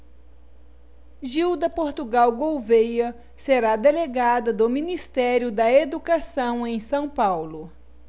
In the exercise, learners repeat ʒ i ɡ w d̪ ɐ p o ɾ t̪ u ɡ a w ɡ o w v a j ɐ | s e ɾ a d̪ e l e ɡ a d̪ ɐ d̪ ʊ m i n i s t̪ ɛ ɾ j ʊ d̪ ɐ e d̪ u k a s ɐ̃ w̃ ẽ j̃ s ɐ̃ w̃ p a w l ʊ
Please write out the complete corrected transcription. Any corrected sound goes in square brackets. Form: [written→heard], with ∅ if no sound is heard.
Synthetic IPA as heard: ʒ i [ɡ→∅] w d̪ ɐ p o ɾ t̪ u ɡ a w ɡ o w v [a→e] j ɐ | s e ɾ a d̪ e l e ɡ a d̪ ɐ d̪ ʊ m i n i s t̪ ɛ ɾ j ʊ d̪ ɐ e d̪ u k a s ɐ̃ w̃ ẽ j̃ s ɐ̃ w̃ p a w l ʊ